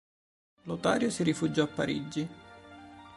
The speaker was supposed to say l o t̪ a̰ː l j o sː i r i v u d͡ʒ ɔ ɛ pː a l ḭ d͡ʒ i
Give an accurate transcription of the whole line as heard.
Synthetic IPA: l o t̪ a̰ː ɾ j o s i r i f u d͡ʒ ɔ a pː a ɾ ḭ d͡ʒ i